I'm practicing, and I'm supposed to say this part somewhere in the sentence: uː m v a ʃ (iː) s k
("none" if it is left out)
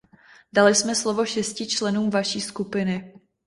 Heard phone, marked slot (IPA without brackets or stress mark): iː